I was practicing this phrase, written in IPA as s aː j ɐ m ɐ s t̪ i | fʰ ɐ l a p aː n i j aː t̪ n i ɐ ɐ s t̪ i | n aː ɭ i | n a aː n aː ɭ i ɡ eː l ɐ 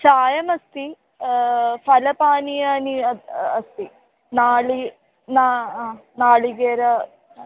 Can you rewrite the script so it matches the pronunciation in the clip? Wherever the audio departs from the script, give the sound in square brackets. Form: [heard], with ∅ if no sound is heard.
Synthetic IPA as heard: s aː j ɐ m ɐ s t̪ i | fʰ ɐ l [ɐ] p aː n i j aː [∅] n i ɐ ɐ s t̪ i | n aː ɭ i | n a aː n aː ɭ i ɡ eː [ɾ] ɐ